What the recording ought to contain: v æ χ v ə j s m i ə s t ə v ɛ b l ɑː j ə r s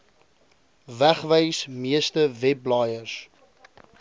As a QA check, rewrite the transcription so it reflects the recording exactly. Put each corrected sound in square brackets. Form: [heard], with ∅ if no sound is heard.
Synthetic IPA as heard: v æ χ v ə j s m i ə s t ə v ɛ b l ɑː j ə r s